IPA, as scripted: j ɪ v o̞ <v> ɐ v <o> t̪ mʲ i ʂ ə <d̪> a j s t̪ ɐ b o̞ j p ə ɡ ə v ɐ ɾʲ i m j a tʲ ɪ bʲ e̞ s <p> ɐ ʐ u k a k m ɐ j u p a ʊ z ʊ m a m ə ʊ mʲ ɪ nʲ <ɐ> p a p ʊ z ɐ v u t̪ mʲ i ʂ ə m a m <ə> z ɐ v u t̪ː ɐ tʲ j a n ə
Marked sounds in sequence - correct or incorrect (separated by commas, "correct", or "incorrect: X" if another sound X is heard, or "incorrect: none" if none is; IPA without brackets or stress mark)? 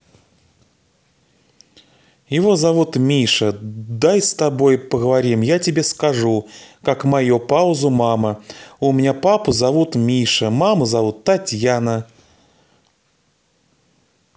incorrect: z, incorrect: u, correct, incorrect: k, incorrect: a, correct